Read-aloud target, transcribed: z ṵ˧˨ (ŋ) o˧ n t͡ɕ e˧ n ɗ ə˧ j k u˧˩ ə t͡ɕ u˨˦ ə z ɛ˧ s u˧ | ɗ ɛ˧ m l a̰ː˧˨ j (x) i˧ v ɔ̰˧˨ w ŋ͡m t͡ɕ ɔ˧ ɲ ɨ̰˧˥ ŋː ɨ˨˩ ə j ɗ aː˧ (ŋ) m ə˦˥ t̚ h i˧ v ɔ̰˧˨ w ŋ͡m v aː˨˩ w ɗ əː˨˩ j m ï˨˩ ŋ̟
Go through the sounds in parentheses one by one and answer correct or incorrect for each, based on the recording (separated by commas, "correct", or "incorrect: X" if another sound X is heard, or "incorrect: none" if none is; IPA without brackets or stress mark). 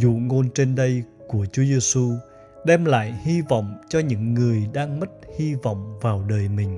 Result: correct, incorrect: h, correct